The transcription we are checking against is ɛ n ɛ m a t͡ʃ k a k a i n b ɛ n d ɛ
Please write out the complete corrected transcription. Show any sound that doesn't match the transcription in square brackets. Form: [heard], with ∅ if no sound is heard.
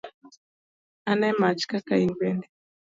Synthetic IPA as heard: [a] n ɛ m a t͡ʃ k a k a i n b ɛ n d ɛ